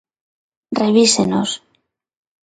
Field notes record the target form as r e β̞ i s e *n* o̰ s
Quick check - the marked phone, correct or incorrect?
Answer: correct